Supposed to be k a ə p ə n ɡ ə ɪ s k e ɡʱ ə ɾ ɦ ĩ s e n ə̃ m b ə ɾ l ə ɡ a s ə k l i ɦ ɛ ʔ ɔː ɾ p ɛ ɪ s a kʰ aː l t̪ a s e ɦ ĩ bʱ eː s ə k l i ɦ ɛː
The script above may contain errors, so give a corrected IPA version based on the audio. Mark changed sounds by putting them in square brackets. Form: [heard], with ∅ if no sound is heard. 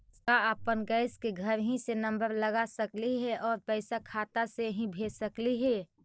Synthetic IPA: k a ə p ə n ɡ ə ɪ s k e ɡʱ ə ɾ ɦ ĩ s e n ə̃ m b ə ɾ l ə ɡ a s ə k l i ɦ ɛ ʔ ɔː ɾ p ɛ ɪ s a kʰ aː [∅] t̪ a s e ɦ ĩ bʱ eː s ə k l i ɦ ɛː